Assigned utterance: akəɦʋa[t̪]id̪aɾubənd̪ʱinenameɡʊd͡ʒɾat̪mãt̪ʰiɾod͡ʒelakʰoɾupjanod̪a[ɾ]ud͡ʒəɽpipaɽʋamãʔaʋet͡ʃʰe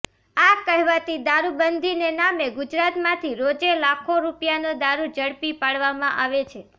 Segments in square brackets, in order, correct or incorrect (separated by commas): correct, correct